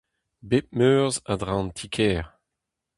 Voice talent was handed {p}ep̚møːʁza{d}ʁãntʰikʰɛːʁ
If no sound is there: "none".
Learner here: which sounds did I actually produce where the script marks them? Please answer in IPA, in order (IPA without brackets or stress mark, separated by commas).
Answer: b, d